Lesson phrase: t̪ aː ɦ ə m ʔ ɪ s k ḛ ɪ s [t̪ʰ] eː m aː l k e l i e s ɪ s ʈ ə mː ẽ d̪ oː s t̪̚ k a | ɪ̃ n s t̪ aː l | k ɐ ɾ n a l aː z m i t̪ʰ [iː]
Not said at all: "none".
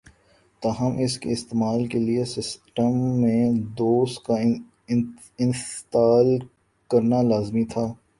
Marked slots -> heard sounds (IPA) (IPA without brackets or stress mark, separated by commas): t̪, aː